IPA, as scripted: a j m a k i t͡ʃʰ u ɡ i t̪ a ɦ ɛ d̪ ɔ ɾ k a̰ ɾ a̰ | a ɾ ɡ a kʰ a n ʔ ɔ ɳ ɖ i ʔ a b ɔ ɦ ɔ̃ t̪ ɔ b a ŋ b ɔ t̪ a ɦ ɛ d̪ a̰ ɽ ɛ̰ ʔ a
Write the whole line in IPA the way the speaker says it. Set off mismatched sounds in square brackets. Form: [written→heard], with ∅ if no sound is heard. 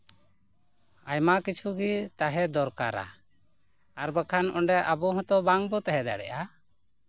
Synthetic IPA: a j m a k i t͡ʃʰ u ɡ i t̪ a ɦ ɛ d̪ ɔ ɾ k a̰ ɾ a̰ | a ɾ [ɡ→b] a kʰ a n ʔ ɔ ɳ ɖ [i→ɛ] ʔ a b ɔ ɦ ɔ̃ t̪ ɔ b a ŋ b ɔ t̪ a ɦ ɛ d̪ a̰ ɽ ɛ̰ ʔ a